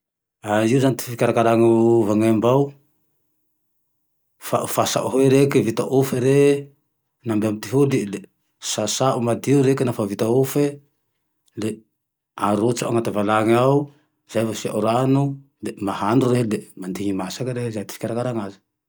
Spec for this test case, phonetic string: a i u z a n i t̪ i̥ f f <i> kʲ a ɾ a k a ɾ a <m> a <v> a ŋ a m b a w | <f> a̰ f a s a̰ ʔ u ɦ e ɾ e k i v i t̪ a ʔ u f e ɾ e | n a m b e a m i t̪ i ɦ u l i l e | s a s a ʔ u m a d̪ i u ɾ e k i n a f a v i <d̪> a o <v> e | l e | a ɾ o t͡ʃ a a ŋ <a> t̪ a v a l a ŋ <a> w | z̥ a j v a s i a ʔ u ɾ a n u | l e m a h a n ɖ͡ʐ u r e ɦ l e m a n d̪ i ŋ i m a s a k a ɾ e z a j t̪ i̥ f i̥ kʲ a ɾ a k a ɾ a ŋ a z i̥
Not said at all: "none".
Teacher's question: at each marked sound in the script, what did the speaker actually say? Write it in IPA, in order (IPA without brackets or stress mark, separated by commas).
i, ŋ, v, f, t̪, f, a, a